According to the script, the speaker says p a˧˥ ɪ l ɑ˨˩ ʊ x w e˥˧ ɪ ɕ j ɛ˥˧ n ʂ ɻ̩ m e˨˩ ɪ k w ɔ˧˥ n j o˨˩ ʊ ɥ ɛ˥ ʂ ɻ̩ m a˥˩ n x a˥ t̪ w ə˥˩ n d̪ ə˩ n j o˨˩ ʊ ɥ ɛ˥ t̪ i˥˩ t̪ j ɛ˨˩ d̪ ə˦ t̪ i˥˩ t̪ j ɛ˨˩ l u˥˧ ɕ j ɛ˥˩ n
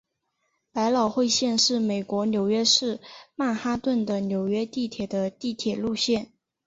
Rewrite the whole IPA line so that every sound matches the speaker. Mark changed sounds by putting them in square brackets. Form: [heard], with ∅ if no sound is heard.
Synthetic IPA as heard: p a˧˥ ɪ l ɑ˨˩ ʊ x w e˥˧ ɪ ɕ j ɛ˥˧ n ʂ ɻ̩ m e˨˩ ɪ k w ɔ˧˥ n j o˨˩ ʊ ɥ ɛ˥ ʂ ɻ̩ m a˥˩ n x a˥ t̪ w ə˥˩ n d̪ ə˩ n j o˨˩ ʊ ɥ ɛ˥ t̪ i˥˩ [t̪ʰ] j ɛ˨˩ d̪ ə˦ t̪ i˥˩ [t̪ʰ] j ɛ˨˩ l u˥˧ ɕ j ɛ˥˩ n